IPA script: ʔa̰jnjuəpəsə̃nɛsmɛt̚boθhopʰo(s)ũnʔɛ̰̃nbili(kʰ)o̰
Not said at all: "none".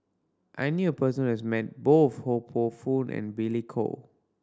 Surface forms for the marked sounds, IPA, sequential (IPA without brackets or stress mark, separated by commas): f, kʰ